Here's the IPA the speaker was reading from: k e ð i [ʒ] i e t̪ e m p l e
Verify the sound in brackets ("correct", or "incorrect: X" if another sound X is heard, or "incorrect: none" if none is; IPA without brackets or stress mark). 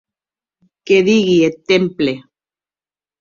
incorrect: ɣ